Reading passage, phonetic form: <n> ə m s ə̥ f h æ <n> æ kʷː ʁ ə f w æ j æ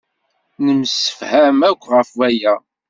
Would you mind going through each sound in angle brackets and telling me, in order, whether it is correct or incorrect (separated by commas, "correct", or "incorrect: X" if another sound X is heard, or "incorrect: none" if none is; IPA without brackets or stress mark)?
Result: correct, incorrect: m